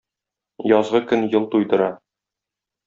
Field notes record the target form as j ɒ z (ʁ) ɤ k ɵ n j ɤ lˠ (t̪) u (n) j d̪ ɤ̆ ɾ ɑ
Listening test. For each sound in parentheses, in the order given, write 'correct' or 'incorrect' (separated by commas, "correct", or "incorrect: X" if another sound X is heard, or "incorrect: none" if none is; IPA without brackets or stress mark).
correct, correct, incorrect: none